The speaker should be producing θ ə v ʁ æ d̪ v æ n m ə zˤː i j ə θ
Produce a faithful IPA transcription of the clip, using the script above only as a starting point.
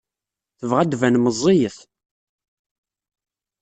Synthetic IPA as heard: θ ə v ʁ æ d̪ v æ n m ə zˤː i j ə θ